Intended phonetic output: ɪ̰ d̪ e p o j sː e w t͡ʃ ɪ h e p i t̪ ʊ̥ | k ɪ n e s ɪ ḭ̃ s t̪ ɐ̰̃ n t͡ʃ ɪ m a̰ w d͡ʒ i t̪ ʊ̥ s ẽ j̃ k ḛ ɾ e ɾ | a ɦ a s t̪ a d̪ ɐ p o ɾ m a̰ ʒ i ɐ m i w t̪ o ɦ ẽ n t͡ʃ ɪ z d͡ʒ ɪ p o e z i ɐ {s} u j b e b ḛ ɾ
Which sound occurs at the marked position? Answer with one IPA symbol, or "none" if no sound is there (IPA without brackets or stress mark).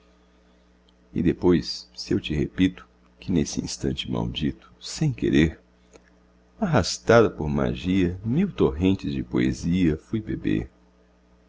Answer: f